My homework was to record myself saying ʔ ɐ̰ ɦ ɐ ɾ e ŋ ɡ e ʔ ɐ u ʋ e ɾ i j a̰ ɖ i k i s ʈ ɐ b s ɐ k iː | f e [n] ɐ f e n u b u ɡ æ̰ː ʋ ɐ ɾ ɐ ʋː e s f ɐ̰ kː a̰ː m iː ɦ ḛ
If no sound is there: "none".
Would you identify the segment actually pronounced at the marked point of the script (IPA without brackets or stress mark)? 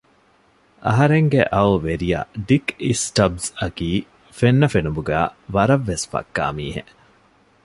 nː